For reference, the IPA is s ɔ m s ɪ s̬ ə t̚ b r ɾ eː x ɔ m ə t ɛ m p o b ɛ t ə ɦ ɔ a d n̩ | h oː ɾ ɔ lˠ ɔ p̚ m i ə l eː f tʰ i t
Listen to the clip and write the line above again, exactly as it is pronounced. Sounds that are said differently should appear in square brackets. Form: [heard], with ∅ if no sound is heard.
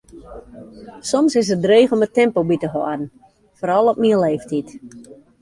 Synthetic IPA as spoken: s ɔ m s ɪ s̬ ə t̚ [d] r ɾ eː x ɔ m ə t ɛ m p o b [i] t ə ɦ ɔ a d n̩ | [f] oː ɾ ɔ lˠ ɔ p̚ m i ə l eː f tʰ i t

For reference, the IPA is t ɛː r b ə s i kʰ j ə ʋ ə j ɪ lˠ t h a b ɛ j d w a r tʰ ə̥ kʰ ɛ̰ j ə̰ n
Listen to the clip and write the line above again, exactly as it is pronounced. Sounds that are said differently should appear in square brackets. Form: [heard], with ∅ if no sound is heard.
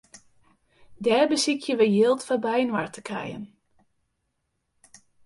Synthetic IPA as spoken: [d] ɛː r b ə s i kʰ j ə ʋ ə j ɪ lˠ t [f] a b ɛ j [n] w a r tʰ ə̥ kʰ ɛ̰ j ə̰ n

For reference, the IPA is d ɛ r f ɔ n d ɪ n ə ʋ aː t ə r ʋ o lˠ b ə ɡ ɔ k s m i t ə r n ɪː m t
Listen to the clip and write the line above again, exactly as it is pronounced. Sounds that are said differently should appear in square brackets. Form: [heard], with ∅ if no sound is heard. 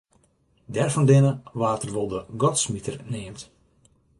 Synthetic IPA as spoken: d ɛ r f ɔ n d ɪ n ə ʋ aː t ə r ʋ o lˠ [d] ə ɡ ɔ [t] s m i t ə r n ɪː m t

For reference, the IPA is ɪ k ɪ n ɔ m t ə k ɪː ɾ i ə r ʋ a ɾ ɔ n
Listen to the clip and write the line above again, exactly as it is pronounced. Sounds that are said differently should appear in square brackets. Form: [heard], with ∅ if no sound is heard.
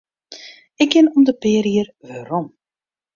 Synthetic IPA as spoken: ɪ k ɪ n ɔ m [d] ə [p] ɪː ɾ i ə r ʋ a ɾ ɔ [m]

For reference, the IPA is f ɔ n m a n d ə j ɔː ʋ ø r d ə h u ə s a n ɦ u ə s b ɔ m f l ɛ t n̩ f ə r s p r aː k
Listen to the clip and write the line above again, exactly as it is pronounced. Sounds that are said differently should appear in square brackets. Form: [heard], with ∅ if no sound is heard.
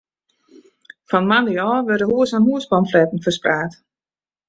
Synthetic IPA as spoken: f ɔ n m a n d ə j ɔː ʋ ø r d ə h u ə s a n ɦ u ə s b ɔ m f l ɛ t n̩ f ə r s p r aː [t]

